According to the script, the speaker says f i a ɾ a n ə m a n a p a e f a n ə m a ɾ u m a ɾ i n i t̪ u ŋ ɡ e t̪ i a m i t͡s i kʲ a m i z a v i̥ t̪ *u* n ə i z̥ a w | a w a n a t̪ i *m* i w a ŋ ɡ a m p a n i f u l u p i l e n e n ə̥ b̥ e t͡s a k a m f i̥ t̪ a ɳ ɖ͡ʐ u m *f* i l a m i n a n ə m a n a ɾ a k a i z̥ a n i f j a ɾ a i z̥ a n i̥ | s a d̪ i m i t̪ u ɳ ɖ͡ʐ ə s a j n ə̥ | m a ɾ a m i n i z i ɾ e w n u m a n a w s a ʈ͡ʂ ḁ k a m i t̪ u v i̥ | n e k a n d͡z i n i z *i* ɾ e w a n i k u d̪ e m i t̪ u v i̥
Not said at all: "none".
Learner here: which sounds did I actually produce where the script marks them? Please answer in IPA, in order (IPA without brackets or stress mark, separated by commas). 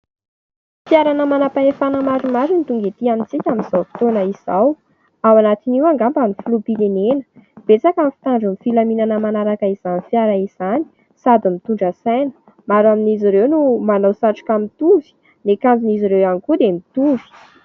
o, n, f, i